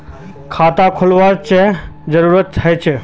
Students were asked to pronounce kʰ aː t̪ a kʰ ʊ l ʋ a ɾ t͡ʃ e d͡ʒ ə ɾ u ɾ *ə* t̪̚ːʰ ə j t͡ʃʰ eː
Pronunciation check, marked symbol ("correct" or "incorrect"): correct